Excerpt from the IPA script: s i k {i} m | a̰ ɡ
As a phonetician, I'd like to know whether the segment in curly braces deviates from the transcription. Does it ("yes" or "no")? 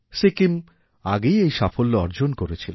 no